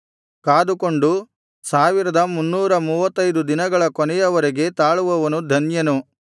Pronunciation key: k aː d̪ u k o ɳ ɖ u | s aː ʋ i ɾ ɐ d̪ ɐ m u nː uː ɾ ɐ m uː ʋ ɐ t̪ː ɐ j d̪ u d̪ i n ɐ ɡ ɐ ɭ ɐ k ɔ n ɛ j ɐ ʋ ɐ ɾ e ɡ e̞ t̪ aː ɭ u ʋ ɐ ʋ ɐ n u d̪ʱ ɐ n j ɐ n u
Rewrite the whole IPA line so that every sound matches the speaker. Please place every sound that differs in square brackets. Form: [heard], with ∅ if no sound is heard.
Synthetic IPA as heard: k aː d̪ u k o ɳ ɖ u | s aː ʋ i ɾ ɐ d̪ ɐ m u nː uː ɾ ɐ m uː ʋ ɐ t̪ː ɐ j d̪ u d̪ i n ɐ ɡ ɐ ɭ ɐ k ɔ n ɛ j ɐ ʋ ɐ ɾ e ɡ e̞ t̪ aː ɭ u ʋ ɐ ʋ ɐ n u d̪ʱ ɐ n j ɐ n u